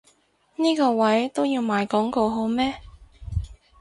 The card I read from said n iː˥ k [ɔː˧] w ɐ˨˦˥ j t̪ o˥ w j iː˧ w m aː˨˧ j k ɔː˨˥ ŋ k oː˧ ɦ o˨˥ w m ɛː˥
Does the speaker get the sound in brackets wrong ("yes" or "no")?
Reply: no